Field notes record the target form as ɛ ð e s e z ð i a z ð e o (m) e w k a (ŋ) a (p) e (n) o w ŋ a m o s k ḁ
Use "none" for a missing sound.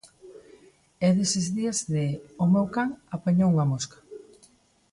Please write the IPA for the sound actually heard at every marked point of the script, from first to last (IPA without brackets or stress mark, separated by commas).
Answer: m, ŋ, p, ɲ